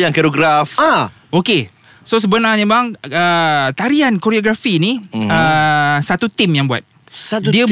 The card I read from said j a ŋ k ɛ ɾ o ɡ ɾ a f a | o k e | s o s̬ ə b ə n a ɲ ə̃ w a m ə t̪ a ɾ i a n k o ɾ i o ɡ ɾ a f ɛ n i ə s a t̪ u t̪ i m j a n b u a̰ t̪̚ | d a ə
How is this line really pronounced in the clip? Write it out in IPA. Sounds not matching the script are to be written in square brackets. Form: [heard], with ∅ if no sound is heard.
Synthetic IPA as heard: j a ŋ k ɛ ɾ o ɡ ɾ a f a | o k e | s o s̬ ə b ə n a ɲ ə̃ [b] a [ŋ] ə t̪ a ɾ i a n k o ɾ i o ɡ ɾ a f [i] n i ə s a t̪ u t̪ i m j a [ŋ] b u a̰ t̪̚ | d [i] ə